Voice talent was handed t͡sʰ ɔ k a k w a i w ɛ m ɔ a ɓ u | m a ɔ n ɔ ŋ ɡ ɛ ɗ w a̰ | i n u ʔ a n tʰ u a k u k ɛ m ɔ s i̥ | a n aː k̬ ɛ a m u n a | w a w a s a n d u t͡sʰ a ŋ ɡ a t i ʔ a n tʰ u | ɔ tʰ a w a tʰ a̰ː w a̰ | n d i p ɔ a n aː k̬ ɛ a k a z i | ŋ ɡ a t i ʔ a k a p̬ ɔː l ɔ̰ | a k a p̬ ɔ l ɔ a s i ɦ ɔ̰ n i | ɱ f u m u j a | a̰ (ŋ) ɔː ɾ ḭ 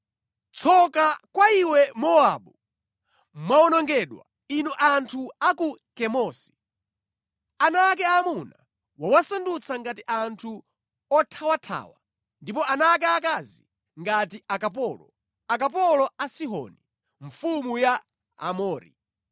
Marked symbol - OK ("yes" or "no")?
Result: no